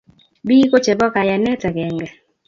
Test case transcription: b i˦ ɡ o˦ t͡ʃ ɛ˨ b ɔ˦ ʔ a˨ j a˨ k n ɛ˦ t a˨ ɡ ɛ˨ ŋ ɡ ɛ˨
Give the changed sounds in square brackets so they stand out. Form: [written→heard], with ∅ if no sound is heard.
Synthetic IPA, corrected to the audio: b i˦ [ɡ→k] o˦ t͡ʃ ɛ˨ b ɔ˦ [ʔ→k] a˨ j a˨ [k→∅] n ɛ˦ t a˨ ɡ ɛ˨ ŋ ɡ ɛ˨